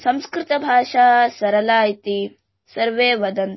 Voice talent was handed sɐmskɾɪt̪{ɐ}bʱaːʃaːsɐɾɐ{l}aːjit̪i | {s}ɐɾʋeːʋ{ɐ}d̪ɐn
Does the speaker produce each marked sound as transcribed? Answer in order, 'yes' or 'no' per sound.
yes, yes, yes, yes

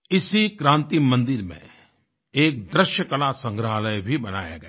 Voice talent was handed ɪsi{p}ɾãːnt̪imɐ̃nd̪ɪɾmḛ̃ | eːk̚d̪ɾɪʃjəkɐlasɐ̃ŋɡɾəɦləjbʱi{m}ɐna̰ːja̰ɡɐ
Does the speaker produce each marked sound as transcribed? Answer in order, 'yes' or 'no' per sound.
no, no

